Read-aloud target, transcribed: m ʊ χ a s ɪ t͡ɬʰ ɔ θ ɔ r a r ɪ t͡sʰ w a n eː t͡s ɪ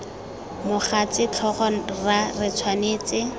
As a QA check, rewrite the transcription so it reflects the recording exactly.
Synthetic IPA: m ʊ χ a t͡s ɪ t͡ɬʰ ɔ χ ɔ r a r ɪ t͡sʰ w a n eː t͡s ɪ